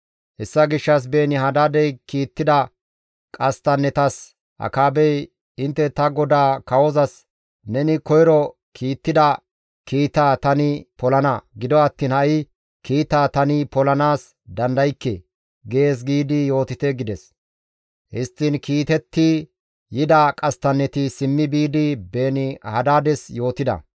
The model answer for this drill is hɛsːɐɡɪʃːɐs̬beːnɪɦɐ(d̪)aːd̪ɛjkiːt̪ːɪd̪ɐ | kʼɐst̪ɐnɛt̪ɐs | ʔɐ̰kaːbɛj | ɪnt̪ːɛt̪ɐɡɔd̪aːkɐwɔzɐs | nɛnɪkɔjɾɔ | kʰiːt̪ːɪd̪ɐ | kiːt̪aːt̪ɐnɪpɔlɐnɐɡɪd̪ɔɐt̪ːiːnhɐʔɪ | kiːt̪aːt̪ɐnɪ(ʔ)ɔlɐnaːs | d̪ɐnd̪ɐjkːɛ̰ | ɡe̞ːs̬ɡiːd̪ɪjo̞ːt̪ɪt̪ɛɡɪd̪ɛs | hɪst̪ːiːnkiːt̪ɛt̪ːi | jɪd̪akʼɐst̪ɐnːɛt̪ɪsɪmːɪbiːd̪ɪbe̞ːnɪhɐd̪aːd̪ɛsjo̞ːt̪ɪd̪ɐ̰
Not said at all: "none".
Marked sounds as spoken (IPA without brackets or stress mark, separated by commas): d̪, p